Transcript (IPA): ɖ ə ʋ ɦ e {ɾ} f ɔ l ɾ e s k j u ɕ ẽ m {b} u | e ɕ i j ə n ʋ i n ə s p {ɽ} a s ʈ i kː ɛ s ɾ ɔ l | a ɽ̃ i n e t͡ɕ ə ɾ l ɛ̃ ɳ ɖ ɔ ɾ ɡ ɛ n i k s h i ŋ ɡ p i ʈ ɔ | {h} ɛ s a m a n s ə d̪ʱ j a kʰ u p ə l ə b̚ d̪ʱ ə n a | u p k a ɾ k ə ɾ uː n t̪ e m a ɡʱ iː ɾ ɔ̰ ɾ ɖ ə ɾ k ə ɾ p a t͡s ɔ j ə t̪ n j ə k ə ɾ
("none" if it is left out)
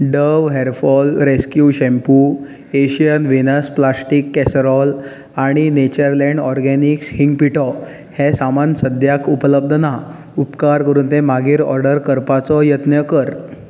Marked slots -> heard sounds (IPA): ɾ, p, l, h

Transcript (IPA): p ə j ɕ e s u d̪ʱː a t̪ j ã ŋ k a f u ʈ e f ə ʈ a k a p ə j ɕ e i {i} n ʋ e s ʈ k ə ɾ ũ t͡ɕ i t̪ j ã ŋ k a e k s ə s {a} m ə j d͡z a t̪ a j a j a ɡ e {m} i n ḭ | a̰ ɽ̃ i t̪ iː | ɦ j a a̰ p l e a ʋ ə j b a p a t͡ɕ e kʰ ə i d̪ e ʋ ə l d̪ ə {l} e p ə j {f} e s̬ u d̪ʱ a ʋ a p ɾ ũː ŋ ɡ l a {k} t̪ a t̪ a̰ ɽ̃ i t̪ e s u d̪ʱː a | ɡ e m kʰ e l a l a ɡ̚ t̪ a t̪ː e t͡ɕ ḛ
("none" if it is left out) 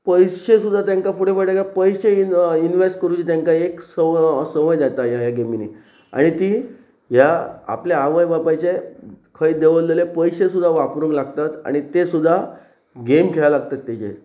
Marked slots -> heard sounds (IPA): i, ə, m, l, ɕ, ɡ

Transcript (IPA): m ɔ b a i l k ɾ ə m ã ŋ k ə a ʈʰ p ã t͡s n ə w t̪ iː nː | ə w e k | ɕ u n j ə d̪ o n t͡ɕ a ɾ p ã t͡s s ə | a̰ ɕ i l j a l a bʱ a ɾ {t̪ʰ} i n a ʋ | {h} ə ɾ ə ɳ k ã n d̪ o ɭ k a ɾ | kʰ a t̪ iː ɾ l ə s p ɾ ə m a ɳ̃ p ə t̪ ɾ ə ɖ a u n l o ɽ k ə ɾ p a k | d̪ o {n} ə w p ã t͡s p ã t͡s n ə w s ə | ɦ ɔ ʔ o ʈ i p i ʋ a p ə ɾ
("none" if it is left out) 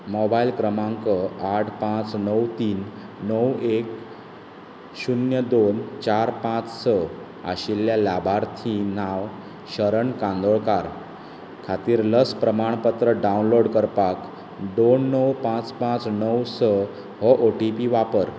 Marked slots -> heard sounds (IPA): t̪ʰ, ɕ, nː

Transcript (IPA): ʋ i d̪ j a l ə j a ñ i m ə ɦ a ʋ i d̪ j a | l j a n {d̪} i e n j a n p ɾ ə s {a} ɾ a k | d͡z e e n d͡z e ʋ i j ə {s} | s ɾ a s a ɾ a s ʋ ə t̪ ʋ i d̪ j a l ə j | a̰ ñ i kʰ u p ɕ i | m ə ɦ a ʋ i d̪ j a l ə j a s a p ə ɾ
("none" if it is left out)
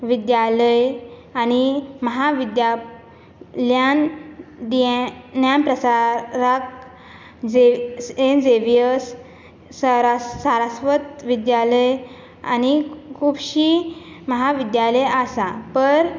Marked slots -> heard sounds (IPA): d̪, a, s

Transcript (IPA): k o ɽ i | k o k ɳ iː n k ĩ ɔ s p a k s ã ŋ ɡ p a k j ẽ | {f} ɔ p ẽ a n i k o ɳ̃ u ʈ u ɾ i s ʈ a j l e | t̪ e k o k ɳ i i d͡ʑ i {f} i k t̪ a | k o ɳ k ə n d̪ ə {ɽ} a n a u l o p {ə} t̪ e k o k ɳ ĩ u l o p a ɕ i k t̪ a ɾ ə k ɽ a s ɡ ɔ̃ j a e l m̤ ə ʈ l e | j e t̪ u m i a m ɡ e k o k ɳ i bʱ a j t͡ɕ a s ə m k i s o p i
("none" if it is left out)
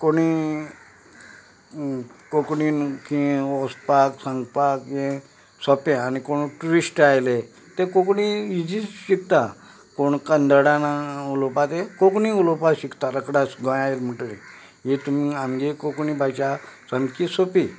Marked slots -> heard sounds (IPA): s, ɕ, ɽ, a

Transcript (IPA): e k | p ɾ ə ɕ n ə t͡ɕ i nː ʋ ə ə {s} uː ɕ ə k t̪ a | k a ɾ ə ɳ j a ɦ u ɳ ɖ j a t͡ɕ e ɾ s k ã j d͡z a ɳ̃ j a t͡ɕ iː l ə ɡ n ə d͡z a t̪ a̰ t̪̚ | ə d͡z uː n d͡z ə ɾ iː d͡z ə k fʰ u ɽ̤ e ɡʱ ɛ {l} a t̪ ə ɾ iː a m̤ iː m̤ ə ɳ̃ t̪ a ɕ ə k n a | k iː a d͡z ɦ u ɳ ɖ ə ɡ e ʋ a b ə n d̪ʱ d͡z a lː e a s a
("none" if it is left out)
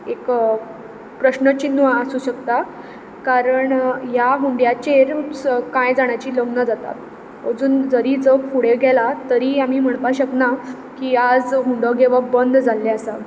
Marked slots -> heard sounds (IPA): s, l

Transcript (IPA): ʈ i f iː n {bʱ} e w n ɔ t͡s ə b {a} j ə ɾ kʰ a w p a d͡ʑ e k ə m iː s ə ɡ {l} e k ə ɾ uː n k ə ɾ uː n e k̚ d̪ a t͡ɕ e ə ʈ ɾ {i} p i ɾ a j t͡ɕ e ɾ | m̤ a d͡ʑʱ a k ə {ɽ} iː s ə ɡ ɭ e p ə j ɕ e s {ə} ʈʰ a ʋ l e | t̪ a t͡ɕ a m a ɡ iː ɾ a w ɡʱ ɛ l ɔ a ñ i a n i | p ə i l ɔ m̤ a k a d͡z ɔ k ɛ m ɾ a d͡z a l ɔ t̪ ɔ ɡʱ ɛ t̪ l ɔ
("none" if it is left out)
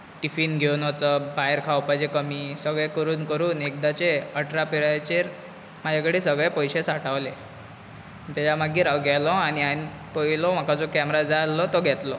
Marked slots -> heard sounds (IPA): ɡʱ, a, ɭ, a, ɽ, a

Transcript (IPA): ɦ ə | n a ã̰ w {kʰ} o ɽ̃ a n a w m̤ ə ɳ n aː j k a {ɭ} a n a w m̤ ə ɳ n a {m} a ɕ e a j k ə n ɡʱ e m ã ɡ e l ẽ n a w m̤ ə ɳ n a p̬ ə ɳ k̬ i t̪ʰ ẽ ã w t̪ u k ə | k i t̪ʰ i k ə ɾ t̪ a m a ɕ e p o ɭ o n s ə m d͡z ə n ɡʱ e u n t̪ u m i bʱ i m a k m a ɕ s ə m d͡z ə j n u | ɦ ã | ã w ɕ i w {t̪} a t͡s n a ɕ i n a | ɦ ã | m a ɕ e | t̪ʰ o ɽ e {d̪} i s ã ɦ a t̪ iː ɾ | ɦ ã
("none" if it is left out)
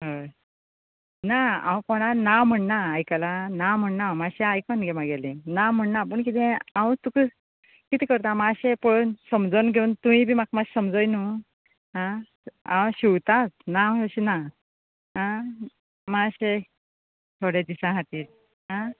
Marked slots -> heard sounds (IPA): k, l, m, t̪, d̪

